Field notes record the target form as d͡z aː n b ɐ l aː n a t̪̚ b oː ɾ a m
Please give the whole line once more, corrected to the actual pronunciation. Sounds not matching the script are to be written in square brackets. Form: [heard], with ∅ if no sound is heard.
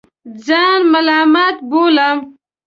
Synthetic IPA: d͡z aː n [m] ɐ l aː [m] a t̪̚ b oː [l] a m